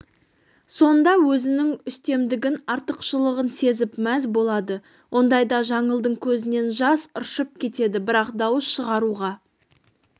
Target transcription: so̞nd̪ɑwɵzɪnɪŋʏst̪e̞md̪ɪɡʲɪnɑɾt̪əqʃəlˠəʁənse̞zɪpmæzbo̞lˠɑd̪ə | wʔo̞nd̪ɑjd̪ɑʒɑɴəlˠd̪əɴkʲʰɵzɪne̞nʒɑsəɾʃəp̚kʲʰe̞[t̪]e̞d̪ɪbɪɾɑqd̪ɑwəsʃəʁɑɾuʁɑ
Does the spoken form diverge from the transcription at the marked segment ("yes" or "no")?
no